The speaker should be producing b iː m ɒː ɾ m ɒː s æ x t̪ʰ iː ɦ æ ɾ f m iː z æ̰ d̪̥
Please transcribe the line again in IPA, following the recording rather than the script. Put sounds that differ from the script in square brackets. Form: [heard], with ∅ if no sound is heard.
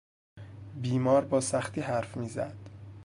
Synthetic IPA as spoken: b iː m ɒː ɾ [b] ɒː s æ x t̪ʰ iː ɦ æ ɾ f m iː z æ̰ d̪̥